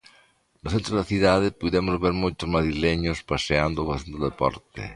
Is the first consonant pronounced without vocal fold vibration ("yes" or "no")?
no